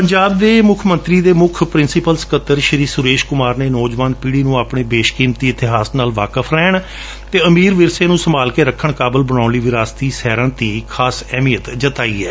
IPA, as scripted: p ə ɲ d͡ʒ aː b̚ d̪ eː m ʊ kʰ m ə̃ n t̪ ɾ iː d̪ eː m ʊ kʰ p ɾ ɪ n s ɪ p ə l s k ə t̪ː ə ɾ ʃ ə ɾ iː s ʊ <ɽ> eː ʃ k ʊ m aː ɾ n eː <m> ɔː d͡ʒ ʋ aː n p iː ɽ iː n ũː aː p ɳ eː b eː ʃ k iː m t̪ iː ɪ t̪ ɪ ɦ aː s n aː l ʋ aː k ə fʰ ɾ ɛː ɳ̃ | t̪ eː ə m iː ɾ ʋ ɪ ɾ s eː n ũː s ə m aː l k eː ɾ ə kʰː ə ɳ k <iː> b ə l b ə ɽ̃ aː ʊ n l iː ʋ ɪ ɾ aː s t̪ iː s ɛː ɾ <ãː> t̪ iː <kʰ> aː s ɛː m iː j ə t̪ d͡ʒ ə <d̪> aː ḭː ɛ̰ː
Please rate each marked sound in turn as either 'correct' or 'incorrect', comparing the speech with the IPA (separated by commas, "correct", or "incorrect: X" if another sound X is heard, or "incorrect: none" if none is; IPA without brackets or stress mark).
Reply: incorrect: ɾ, incorrect: n, incorrect: aː, correct, correct, incorrect: t̪